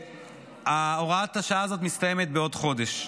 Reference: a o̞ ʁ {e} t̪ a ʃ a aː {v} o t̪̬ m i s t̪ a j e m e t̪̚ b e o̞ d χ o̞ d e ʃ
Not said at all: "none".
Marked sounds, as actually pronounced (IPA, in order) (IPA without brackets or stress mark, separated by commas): a, z